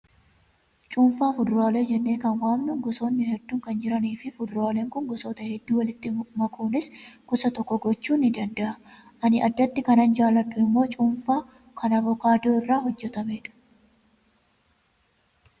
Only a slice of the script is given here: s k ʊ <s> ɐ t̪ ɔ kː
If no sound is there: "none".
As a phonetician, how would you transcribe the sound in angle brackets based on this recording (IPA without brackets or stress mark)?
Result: s